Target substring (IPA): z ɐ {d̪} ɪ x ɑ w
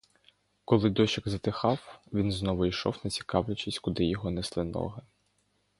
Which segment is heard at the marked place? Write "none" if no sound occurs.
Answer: t̪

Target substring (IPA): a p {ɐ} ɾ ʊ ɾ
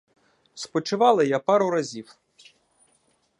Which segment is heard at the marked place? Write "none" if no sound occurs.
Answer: ɑ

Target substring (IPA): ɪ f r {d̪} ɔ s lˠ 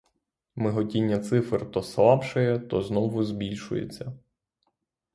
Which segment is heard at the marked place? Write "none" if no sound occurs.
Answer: t̪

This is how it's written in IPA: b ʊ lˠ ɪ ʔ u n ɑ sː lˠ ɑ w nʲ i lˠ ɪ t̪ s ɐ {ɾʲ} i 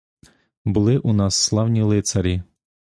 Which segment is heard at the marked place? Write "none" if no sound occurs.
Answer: ɾʲ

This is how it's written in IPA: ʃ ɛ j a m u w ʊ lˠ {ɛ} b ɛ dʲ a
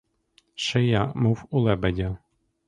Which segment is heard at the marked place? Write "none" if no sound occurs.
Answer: ɛ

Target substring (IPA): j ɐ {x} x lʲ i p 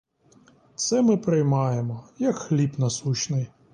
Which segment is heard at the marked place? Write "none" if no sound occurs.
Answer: k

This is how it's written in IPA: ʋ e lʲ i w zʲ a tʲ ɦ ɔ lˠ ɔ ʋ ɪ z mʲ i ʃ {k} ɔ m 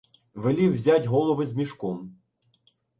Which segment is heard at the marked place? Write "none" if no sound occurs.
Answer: k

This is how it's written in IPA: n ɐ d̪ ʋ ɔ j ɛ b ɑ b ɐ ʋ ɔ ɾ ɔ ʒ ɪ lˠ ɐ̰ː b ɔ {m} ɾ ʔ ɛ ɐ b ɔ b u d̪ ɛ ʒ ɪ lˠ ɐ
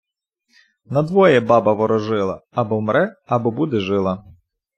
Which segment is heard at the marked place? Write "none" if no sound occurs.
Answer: m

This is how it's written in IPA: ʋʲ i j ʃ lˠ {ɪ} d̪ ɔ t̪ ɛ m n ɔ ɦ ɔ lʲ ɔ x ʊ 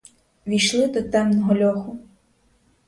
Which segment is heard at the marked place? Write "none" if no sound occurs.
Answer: ɪ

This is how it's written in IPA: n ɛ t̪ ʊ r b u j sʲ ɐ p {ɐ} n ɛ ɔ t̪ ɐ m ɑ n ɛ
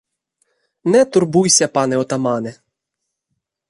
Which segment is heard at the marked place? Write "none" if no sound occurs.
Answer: ɑ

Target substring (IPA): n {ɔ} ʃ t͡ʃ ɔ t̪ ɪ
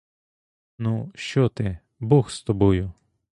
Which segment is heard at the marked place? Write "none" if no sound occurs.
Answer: u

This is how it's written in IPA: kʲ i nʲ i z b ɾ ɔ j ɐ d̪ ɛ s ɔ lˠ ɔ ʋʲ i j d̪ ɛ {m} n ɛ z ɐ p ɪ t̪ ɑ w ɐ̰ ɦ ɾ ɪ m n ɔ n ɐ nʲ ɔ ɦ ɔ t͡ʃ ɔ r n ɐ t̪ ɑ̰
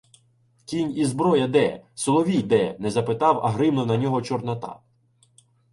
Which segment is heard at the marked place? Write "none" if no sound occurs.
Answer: none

